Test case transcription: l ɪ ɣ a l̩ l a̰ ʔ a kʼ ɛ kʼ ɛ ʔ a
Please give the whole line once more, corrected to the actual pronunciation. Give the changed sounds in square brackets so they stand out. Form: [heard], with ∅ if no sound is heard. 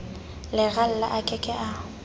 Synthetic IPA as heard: l ɪ ɣ a l̩ l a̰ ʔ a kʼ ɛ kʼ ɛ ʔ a

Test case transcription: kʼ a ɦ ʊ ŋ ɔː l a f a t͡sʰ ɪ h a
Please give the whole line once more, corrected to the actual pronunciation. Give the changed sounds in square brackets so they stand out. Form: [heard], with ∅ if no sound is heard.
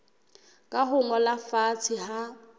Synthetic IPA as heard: kʼ a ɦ ʊ ŋ [ɔ] l a f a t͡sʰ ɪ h a

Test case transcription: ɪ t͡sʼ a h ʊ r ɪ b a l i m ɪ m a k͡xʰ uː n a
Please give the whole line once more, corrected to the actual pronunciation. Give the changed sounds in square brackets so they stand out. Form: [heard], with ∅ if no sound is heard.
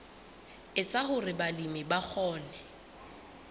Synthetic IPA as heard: ɪ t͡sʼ a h ʊ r ɪ b a l i m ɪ [b] a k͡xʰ [ɔː] n [ɛ]

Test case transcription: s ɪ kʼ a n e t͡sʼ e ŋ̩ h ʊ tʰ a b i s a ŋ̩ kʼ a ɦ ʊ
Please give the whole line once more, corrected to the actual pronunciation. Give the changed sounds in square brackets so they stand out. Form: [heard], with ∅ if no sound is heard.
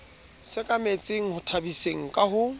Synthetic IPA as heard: s ɪ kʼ a [m] e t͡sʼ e ŋ̩ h ʊ tʰ a b i s [e] ŋ̩ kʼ a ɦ ʊ

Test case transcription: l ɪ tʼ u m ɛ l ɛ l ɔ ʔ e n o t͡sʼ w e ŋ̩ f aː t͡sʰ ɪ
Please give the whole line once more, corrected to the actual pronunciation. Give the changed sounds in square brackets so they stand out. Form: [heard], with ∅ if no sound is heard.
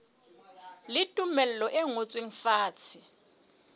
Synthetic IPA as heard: l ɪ tʼ u m ɛ l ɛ l ɔ ʔ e [ŋ] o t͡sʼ w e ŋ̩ f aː t͡sʰ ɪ

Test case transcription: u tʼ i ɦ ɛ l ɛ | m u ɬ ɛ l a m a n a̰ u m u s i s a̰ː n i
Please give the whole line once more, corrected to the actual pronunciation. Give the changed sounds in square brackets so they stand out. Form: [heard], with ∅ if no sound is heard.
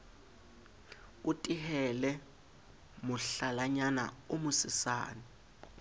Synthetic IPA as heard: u tʼ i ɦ ɛ l ɛ | m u ɬ [a] l a [ɲ] a n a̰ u m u s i s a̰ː n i

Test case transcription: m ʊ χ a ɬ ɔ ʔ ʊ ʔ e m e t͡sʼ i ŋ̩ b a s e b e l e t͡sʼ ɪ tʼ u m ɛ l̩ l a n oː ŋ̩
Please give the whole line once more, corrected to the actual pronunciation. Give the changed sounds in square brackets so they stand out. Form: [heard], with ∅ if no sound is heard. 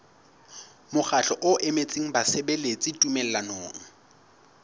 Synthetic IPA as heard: m ʊ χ a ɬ ɔ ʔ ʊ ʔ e m e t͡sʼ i ŋ̩ b a s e b e l e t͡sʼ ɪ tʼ u m ɛ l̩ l a n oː ŋ̩

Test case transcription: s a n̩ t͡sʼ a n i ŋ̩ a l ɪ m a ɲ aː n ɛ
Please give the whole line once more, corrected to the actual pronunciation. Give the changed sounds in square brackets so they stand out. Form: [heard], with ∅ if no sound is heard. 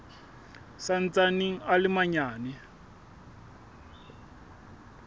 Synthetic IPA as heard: s a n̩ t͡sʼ a n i ŋ̩ a l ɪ m a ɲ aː n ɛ

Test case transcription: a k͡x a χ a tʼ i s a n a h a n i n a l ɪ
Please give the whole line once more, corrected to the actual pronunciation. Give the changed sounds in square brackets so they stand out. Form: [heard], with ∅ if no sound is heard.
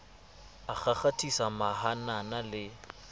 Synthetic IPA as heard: a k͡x a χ a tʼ i s a [m] a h a n [a] n a l ɪ

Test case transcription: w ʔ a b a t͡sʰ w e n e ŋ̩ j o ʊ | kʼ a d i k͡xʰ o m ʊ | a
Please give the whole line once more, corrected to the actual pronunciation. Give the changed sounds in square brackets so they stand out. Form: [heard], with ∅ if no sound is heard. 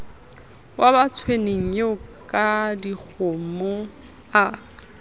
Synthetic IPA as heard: w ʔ a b a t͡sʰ w e n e ŋ̩ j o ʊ | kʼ a d i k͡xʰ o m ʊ | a

